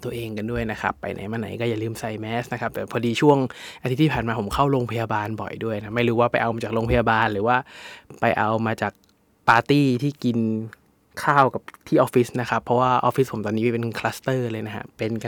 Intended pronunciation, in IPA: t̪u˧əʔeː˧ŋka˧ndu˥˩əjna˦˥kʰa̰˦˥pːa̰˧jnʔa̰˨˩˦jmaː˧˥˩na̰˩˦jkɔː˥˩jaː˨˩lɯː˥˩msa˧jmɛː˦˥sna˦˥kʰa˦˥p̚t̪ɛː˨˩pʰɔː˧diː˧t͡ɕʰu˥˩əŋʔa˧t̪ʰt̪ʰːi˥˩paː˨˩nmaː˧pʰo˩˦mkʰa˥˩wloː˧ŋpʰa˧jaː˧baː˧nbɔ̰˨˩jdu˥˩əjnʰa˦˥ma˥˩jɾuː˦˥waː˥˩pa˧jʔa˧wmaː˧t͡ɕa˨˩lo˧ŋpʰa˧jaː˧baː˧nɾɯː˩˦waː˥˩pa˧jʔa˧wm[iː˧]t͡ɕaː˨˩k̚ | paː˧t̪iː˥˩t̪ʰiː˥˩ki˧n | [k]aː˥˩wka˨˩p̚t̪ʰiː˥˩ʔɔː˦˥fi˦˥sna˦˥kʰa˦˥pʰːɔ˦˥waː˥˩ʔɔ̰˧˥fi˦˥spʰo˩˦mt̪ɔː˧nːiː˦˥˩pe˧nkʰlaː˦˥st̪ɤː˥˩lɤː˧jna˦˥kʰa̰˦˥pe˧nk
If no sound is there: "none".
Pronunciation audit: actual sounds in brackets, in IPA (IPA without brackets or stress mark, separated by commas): aː˧, kʰ